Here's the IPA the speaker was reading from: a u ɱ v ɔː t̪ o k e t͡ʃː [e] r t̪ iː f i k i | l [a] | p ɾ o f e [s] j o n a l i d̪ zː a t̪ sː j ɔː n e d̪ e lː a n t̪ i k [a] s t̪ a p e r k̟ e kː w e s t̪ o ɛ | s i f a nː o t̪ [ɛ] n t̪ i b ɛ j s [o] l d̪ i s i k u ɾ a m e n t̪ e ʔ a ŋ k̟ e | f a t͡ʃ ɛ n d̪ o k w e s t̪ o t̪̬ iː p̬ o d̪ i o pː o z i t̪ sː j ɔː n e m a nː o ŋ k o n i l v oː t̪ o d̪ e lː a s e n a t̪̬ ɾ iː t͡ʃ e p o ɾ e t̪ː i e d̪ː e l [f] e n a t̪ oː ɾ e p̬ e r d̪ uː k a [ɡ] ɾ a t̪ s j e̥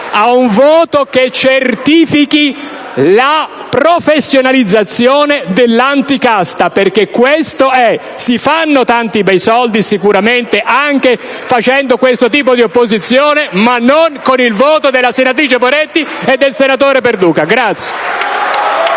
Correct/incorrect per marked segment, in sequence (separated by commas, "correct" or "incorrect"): correct, correct, incorrect, correct, incorrect, incorrect, incorrect, correct